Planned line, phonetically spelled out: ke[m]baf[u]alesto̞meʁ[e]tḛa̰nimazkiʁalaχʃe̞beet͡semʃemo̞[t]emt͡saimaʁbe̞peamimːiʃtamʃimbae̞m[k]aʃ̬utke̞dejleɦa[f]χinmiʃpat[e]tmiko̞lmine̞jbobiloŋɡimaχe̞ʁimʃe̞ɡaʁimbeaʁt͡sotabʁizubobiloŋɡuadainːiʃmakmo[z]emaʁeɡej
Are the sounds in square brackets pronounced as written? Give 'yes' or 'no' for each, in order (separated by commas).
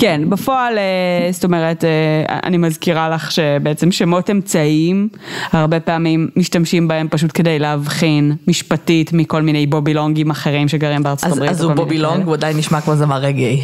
no, no, yes, yes, no, no, no, yes